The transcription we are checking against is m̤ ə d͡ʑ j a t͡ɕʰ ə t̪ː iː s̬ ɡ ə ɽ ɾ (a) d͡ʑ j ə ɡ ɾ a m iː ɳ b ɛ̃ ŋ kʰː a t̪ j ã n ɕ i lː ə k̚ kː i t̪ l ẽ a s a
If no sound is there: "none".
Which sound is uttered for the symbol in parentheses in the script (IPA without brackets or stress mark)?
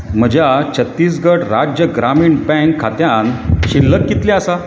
a